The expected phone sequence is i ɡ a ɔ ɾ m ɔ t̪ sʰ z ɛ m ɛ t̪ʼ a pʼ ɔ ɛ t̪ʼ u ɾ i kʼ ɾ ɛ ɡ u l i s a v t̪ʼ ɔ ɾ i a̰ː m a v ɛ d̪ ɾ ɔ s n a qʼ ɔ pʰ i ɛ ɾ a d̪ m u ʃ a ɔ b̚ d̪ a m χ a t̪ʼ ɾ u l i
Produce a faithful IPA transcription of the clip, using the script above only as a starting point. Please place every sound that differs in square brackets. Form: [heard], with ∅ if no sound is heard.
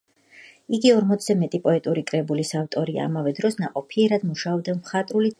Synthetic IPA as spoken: i ɡ [i] ɔ ɾ m ɔ t̪ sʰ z ɛ m ɛ t̪ʼ [i] pʼ ɔ ɛ t̪ʼ u ɾ i kʼ ɾ ɛ [b] u l i s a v t̪ʼ ɔ ɾ i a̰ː m a v ɛ d̪ ɾ ɔ s n a qʼ ɔ pʰ i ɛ ɾ a d̪ m u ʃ a ɔ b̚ d̪ a m χ a t̪ʼ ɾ u l i